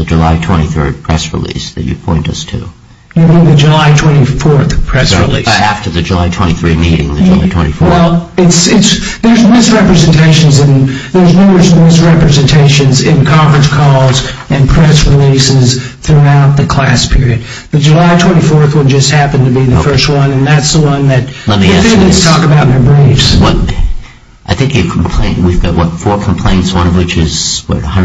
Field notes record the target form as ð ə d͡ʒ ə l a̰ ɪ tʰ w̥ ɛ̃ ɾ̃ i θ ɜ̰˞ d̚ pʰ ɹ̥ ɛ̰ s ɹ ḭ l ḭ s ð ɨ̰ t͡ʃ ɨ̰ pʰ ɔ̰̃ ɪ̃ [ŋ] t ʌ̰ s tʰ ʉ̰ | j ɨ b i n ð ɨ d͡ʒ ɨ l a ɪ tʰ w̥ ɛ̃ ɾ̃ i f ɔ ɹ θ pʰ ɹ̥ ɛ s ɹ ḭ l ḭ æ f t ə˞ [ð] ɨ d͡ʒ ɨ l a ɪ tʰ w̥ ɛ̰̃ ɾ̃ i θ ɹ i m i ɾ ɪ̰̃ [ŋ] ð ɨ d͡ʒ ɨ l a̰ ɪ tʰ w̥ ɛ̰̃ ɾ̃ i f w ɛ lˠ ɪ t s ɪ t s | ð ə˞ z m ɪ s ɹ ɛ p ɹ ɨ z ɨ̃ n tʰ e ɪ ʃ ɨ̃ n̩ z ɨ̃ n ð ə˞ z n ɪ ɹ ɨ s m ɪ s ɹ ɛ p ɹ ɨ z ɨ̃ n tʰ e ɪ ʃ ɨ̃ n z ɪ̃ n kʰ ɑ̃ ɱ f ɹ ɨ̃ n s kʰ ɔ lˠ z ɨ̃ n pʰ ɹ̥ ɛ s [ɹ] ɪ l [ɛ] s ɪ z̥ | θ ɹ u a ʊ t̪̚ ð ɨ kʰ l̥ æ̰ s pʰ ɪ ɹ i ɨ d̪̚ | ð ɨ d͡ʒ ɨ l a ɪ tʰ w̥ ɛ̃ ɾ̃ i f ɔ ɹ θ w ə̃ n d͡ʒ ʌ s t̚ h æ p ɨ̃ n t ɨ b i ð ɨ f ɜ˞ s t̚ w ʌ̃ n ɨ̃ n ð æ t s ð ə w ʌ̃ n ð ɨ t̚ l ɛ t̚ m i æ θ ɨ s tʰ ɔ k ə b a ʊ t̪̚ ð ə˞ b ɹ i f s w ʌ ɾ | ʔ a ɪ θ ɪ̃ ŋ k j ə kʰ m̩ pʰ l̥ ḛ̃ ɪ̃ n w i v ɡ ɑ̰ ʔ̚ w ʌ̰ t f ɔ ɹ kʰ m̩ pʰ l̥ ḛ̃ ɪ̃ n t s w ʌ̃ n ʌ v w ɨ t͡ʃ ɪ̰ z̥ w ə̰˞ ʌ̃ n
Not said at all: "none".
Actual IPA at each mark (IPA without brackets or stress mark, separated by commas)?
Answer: n, ð, ŋ, ɹ, i